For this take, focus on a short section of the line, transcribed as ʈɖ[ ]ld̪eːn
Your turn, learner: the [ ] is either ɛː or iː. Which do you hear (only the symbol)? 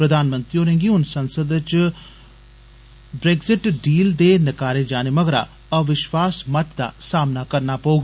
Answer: iː